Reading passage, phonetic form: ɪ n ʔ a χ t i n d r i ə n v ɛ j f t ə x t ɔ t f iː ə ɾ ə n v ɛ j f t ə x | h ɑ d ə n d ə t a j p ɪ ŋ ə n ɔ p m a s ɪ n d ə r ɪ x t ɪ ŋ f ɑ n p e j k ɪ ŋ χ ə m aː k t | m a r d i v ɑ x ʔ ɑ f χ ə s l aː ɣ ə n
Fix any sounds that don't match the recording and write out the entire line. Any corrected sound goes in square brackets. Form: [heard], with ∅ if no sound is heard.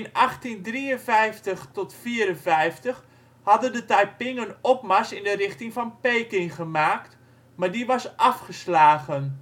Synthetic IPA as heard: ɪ n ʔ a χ t i n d r i ə n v ɛ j f t ə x t ɔ t f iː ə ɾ ə n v ɛ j f t ə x | h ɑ d ə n d ə t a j p ɪ ŋ ə n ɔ p m a s ɪ n d ə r ɪ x t ɪ ŋ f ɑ n p e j k ɪ ŋ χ ə m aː k t | m a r d i [ʋ] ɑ [s] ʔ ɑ f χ ə s l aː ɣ ə n